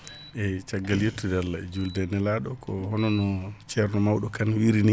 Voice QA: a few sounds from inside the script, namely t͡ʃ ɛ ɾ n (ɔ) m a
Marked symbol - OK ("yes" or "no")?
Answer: yes